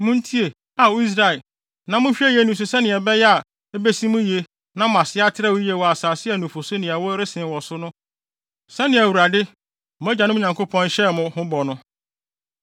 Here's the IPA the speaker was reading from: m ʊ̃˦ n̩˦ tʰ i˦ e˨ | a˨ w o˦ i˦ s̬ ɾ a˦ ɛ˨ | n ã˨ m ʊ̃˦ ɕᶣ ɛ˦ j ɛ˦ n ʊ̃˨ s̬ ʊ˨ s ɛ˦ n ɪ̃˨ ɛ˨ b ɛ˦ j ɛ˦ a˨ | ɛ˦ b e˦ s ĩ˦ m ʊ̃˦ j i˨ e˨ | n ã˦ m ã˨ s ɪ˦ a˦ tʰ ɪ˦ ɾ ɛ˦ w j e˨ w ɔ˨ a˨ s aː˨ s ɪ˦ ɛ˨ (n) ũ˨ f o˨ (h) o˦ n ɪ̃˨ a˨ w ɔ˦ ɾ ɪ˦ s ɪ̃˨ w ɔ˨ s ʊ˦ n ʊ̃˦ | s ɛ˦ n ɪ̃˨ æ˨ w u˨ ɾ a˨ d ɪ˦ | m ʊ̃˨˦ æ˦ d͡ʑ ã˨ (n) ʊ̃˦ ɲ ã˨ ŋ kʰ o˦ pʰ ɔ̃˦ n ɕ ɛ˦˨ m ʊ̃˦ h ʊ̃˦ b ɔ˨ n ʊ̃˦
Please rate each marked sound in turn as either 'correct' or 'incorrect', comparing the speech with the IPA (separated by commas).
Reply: correct, incorrect, correct